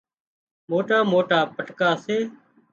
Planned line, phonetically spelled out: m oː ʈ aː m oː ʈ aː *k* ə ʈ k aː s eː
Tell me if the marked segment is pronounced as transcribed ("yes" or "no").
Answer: no